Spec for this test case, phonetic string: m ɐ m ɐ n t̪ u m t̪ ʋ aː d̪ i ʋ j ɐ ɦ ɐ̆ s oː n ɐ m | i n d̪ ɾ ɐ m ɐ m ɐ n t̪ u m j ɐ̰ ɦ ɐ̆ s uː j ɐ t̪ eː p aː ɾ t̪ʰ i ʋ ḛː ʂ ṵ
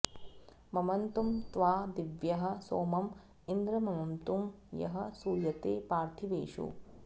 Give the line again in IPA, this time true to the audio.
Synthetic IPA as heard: m ɐ m ɐ n t̪ u m t̪ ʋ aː d̪ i ʋ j ɐ ɦ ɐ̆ s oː m ɐ m | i n d̪ ɾ ɐ m ɐ m ɐ n t̪ u m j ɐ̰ ɦ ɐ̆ s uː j ɐ t̪ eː p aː ɾ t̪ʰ i ʋ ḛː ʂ ṵ